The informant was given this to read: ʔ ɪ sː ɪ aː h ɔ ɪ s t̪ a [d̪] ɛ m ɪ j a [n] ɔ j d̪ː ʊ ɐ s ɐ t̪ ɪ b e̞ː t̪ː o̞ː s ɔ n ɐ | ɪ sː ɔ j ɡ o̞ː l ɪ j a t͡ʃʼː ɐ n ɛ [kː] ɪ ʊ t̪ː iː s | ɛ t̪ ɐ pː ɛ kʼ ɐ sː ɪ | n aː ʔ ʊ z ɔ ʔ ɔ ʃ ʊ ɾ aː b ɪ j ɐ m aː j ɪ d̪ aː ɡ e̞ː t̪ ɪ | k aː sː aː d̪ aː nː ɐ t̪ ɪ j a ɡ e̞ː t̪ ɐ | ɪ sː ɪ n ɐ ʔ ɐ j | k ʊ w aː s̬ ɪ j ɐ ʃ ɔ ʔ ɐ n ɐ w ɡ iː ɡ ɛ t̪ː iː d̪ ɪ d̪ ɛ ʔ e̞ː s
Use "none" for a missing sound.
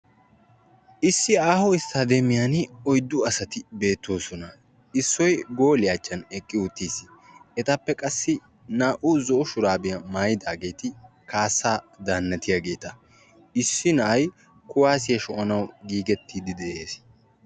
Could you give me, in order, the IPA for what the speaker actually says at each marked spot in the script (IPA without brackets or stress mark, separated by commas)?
d̪, n, kʼː